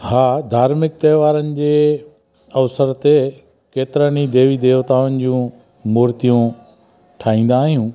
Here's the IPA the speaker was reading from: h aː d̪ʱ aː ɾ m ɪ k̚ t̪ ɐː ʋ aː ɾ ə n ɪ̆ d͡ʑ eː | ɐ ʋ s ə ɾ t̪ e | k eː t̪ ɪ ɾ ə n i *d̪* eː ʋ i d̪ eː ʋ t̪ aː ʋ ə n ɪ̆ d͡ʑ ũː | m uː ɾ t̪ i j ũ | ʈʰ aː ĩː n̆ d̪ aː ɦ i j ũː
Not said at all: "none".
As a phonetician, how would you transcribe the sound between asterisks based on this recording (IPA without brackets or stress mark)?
d̪